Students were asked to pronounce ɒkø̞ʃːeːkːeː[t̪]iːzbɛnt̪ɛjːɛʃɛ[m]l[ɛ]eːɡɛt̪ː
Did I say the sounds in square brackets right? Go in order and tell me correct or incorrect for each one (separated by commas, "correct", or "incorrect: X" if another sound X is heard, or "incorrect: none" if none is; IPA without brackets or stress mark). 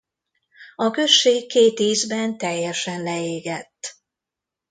correct, incorrect: n, correct